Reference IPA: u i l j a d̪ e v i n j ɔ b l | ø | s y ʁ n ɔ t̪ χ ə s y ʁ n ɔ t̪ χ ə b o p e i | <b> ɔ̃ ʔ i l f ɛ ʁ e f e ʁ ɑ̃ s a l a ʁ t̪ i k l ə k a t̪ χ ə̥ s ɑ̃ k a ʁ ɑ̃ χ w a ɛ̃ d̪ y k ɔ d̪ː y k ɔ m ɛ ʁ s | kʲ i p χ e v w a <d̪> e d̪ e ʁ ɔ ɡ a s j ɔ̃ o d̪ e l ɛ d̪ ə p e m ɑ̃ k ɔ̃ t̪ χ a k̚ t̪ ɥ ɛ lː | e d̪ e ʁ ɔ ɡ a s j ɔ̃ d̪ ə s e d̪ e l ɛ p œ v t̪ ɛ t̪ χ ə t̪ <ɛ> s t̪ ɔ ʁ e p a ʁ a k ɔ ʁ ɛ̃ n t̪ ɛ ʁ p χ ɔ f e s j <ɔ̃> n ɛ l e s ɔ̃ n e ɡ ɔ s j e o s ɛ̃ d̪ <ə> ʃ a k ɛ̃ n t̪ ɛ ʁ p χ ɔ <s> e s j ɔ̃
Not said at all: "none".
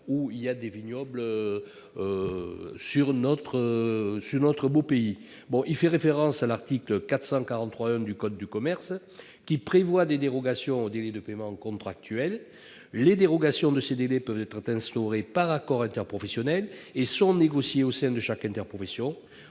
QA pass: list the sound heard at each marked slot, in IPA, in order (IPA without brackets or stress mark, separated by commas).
b, d̪, ɛ̃, ɔ, ə, f